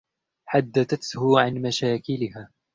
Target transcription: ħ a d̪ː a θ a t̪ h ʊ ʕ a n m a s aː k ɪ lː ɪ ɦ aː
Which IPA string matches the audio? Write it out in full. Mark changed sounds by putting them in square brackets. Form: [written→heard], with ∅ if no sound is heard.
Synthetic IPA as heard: ħ a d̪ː a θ a t̪ h ʊ ʕ a n m a [s→ʃ] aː k ɪ [lː→l] ɪ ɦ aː